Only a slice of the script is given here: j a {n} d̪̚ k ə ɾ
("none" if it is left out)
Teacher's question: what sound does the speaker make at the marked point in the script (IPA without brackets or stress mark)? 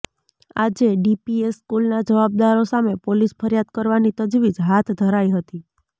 none